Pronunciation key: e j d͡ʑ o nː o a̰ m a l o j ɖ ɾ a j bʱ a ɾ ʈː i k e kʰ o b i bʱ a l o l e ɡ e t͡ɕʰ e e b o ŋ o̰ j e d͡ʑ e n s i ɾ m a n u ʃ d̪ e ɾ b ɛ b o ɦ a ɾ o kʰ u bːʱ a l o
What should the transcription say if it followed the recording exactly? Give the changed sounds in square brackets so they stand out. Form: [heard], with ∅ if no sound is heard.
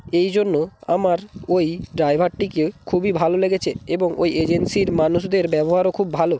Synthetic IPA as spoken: e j d͡ʑ o nː o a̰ m a [ɾ] o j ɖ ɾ a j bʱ a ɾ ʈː i k e kʰ [u] b i bʱ a l o l e ɡ e t͡ɕʰ e e b o ŋ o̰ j e d͡ʑ e n s i ɾ m a n u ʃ d̪ e ɾ b ɛ b o ɦ a ɾ o kʰ u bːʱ a l o